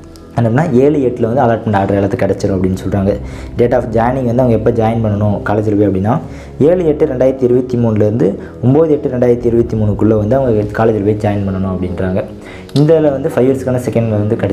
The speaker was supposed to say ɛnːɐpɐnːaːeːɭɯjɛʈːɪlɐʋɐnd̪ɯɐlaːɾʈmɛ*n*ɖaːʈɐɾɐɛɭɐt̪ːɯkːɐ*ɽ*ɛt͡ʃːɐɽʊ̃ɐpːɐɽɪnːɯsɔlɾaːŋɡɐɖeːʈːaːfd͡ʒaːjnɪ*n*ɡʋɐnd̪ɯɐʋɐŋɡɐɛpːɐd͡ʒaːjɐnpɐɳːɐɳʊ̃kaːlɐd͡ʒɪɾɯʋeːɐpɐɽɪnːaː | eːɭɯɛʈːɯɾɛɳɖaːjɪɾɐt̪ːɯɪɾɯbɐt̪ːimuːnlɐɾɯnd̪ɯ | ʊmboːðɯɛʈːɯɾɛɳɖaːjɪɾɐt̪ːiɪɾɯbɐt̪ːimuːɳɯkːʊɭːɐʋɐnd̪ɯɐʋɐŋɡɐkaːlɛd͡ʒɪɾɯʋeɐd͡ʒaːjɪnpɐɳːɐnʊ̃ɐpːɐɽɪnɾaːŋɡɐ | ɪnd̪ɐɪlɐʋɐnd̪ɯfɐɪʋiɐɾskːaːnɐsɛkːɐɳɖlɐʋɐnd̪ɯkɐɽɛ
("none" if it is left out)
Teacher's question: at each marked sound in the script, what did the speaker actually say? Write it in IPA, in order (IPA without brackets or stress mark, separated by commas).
ɳ, ɽ, ŋ